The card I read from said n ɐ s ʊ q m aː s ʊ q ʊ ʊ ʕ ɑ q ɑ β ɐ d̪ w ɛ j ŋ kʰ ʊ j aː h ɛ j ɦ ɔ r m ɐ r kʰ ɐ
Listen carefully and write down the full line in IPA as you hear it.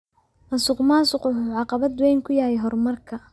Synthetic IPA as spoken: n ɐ s ʊ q m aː s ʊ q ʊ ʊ ʕ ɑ q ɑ β ɐ d̪ w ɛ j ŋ kʰ ʊ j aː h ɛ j ɦ ɔ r m ɐ r kʰ ɐ